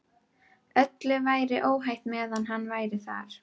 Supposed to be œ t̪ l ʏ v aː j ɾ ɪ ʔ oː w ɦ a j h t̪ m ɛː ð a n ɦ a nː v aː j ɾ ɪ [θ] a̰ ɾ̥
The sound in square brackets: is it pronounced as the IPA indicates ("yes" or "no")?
yes